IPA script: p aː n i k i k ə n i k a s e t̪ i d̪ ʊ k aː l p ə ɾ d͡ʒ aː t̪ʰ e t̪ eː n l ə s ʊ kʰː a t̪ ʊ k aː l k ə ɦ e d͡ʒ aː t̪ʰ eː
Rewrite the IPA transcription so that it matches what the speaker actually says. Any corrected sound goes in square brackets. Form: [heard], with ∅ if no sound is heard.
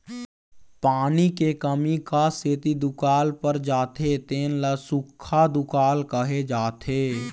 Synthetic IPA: p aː n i k [e] k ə [m] i k a s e t̪ i d̪ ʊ k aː l p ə ɾ d͡ʒ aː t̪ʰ e t̪ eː n l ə s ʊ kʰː a [d̪] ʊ k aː l k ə ɦ e d͡ʒ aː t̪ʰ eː

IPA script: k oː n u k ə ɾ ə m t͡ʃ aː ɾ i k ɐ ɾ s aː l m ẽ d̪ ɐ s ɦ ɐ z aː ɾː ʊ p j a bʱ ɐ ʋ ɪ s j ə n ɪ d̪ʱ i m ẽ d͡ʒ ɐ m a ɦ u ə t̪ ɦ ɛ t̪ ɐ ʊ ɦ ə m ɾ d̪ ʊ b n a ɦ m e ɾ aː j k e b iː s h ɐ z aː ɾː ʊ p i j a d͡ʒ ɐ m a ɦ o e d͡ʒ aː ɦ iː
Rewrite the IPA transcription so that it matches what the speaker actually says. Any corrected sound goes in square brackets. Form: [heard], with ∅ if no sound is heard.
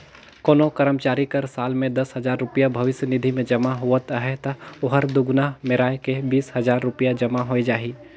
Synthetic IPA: k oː n [o] k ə ɾ ə m t͡ʃ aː ɾ i k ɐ ɾ s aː l m ẽ d̪ ɐ s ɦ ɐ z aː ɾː ʊ p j a bʱ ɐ ʋ ɪ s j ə n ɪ d̪ʱ i m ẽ d͡ʒ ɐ m a ɦ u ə t̪ ɦ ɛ t̪ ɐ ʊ ɦ ə [∅] ɾ d̪ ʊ [ɡ] n a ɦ m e ɾ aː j k e b iː s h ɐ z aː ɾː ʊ p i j a d͡ʒ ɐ m a ɦ o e d͡ʒ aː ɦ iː

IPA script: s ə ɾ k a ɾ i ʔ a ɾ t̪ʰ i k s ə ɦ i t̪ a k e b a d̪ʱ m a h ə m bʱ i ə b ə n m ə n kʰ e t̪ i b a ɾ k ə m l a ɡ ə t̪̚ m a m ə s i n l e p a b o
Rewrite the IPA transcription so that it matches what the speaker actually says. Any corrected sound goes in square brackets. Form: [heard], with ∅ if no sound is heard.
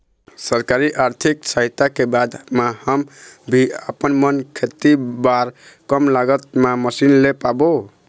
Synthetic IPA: s ə ɾ k a ɾ i ʔ a ɾ t̪ʰ i k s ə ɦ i t̪ a k e b a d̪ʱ m a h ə m bʱ i ə [p] ə n m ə n kʰ e t̪ i b a ɾ k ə m l a ɡ ə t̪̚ m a m ə s i n l e p a b o

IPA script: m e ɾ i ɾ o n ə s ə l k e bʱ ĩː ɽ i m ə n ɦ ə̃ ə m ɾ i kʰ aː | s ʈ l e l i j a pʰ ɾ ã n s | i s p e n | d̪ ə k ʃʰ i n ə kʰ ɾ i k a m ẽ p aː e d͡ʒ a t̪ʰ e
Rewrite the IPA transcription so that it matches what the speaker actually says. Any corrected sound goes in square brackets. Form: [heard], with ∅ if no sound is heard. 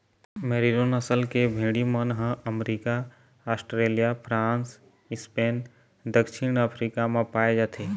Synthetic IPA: m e ɾ i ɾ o n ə s ə l k e bʱ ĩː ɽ i m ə n ɦ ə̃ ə m ɾ i [k] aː | s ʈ [ɾ] e l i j a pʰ ɾ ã n s | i s p e n | d̪ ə k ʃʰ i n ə [pʰ] ɾ i k a m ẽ p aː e d͡ʒ a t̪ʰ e

